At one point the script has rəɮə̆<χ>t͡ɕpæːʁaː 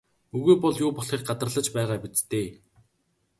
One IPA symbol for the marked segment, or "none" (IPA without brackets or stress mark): none